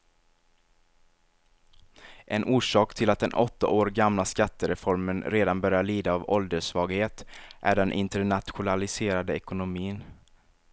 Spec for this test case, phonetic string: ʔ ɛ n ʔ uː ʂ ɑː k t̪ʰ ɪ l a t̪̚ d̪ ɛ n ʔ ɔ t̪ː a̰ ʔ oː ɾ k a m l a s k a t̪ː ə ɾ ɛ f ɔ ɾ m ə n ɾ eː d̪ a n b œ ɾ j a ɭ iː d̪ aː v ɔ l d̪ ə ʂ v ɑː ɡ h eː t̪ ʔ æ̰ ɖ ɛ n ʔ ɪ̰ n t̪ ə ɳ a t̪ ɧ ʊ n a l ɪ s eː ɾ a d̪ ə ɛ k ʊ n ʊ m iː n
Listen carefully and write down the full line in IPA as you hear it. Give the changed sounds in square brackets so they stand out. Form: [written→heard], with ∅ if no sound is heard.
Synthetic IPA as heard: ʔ ɛ n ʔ uː ʂ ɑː k t̪ʰ ɪ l a t̪̚ d̪ ɛ n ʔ ɔ t̪ː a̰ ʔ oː ɾ [k→ɡ] a m l a s k a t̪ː ə ɾ ɛ f ɔ ɾ m ə n ɾ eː d̪ a n b œ ɾ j a ɭ iː d̪ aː v ɔ l d̪ ə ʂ v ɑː ɡ h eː t̪ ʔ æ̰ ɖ ɛ n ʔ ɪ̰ n t̪ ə ɳ a t̪ ɧ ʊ n a l ɪ s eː ɾ a d̪ ə ɛ k ʊ n ʊ m iː n